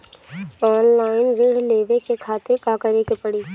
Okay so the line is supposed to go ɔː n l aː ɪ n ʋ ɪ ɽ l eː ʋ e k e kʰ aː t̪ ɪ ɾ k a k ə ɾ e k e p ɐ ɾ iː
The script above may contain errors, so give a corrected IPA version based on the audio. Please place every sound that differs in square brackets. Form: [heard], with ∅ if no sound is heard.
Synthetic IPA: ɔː n l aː ɪ n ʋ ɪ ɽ l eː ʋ e k e kʰ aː t̪ ɪ ɾ k a k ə ɾ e k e p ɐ [ɽ] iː